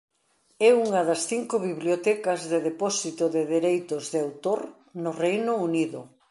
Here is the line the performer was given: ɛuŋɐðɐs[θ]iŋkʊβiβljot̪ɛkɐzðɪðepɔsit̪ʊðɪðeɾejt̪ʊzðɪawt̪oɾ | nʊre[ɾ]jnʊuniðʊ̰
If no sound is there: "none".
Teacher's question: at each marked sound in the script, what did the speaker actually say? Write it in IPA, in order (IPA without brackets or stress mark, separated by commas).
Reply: θ, none